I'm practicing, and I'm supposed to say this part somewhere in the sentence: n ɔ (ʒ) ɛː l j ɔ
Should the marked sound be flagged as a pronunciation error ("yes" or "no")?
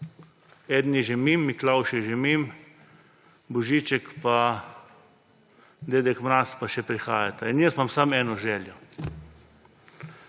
no